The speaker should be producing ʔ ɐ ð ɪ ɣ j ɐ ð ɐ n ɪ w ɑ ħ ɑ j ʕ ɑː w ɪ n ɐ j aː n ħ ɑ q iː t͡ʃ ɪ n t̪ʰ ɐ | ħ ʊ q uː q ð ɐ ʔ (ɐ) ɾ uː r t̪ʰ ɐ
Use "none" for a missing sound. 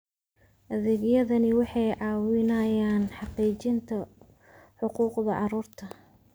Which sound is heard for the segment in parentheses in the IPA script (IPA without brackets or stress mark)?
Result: ɑ